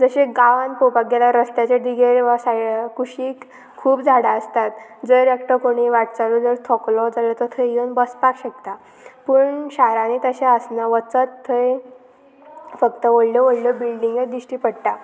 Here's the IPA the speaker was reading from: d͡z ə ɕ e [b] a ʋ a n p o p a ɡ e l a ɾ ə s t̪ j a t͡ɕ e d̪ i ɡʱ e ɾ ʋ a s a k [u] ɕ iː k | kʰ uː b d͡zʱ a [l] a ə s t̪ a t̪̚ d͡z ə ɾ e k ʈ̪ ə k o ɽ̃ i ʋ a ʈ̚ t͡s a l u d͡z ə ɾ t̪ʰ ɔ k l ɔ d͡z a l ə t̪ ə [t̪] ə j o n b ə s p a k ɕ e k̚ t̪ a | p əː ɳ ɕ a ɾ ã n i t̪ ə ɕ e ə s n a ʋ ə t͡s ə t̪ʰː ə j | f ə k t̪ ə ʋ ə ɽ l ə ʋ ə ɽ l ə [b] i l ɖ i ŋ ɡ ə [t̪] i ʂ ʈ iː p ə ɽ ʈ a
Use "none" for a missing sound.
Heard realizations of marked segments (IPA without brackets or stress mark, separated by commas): ɡ, u, ɽ, t̪ʰ, b, d̪